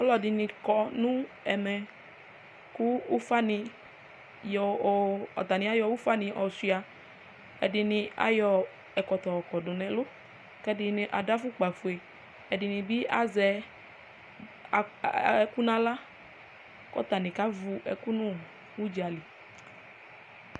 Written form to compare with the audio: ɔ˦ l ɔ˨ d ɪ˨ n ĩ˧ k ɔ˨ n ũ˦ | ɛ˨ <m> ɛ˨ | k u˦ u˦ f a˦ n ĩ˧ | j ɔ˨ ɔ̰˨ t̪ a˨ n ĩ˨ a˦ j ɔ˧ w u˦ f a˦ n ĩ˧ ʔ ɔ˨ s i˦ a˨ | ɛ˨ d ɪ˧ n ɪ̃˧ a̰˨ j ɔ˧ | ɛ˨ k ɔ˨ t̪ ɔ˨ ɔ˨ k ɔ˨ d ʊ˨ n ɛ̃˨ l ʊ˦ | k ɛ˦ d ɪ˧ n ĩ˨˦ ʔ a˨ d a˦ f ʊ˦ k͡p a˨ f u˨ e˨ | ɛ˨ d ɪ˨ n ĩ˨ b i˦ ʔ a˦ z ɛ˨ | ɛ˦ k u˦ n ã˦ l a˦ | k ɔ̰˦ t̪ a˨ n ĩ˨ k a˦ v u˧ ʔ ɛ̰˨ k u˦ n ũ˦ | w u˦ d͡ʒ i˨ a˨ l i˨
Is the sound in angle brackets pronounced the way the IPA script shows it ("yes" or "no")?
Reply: yes